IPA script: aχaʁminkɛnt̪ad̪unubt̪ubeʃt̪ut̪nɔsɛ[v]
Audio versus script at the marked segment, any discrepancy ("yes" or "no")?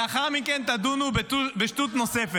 yes